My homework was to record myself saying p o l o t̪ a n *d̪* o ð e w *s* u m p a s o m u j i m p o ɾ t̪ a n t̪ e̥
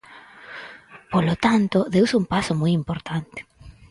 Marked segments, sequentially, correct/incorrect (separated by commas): incorrect, correct